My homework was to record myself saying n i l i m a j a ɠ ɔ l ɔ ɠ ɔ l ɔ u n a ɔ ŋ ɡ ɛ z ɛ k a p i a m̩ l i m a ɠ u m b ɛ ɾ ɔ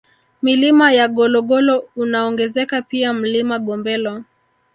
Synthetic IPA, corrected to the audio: m i l i m a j a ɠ ɔ l ɔ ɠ ɔ l ɔ u n a ɔ ŋ ɡ ɛ z ɛ k a p i a m̩ l i m a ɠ ɔ m b ɛ l ɔ